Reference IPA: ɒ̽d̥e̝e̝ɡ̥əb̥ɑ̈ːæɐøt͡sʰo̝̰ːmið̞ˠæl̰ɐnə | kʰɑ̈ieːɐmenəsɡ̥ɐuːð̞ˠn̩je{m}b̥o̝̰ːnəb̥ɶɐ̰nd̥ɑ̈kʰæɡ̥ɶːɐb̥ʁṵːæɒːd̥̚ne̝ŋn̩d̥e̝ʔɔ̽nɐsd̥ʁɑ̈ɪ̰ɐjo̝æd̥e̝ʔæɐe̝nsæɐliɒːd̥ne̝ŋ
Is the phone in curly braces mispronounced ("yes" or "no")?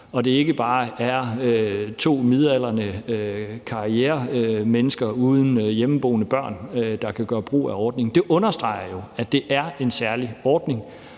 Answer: no